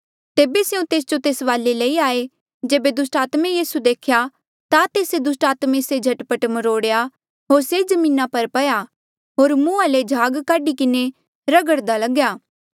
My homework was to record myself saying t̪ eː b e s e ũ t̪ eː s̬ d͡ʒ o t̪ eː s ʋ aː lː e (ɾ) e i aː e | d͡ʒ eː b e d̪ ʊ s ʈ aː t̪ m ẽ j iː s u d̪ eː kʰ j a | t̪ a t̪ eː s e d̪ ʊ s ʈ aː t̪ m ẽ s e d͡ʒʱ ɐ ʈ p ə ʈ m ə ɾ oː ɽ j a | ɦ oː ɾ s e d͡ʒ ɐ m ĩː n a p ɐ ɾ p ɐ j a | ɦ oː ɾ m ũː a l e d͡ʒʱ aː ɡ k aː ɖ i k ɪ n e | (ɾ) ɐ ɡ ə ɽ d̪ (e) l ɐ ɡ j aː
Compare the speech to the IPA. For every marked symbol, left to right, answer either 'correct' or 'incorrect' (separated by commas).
incorrect, correct, incorrect